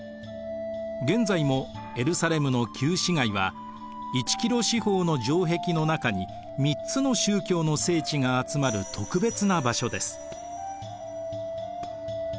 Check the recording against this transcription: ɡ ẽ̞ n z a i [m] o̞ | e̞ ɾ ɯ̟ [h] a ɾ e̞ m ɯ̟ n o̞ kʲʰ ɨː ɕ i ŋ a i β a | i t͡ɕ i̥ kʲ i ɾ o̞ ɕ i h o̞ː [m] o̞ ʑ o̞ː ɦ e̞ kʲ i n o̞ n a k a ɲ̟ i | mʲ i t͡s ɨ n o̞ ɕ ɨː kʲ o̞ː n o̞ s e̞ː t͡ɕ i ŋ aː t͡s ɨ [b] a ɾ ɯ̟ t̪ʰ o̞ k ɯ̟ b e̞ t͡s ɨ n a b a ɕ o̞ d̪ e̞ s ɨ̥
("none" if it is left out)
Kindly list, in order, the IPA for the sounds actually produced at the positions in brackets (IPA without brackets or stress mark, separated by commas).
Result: m, s, n, m